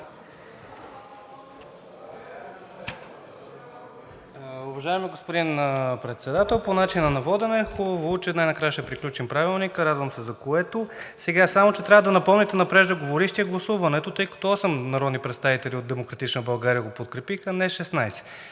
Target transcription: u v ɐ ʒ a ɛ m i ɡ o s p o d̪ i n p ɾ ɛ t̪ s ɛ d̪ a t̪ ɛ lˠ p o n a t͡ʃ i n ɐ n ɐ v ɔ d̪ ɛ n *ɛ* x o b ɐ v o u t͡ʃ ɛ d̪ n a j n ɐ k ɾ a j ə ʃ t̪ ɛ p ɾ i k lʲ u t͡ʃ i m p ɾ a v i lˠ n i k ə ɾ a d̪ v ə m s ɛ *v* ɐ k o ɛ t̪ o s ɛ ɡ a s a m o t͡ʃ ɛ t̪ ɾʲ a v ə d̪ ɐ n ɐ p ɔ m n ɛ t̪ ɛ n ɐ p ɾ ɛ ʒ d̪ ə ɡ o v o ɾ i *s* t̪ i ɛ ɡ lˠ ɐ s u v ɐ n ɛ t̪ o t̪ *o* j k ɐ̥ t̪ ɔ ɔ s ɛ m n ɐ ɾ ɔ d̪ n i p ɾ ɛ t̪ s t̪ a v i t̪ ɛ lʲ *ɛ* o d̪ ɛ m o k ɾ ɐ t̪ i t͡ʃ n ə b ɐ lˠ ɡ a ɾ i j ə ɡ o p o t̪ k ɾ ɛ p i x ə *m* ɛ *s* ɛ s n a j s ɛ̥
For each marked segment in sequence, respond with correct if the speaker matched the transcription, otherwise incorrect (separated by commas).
correct, incorrect, incorrect, incorrect, incorrect, incorrect, incorrect